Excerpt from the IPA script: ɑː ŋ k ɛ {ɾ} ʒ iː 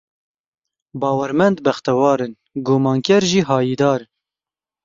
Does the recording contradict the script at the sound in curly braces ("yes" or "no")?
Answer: no